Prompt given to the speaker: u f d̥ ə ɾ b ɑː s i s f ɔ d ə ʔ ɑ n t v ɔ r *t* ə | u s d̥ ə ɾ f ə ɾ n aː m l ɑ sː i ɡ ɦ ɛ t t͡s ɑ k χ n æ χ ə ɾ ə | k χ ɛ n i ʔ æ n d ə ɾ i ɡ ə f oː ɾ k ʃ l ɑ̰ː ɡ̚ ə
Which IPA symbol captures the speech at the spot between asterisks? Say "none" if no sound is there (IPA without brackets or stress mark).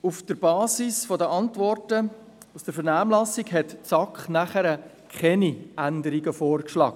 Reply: t